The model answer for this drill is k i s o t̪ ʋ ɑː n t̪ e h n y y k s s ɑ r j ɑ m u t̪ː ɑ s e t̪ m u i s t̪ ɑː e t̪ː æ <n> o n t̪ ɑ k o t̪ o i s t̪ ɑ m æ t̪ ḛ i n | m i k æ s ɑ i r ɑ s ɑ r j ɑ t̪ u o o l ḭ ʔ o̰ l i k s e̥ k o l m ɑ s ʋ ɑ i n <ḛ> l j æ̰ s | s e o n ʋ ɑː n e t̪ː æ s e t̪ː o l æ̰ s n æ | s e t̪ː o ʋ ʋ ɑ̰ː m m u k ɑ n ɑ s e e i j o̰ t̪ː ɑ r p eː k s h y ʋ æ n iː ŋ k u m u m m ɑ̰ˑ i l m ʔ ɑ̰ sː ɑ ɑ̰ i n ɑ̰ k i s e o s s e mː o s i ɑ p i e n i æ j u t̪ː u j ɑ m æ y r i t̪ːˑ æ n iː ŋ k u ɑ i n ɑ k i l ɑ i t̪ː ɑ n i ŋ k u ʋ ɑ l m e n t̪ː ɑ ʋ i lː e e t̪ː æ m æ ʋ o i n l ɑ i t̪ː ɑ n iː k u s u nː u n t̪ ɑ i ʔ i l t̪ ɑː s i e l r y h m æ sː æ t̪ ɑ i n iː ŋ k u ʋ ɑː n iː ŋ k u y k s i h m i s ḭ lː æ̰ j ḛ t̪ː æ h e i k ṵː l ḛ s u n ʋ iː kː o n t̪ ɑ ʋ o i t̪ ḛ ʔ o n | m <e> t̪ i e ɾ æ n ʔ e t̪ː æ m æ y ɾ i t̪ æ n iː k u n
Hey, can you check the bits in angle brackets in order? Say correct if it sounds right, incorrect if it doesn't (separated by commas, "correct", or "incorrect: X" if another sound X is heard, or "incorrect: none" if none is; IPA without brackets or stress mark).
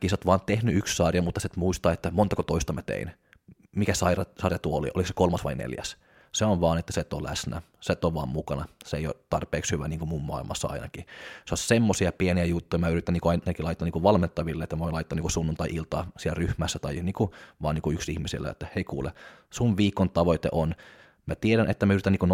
incorrect: m, correct, incorrect: æ